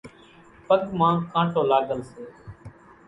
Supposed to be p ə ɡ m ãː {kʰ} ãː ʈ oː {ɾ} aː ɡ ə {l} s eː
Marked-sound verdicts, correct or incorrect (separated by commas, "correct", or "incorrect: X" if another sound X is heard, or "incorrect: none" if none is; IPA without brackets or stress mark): incorrect: k, incorrect: l, correct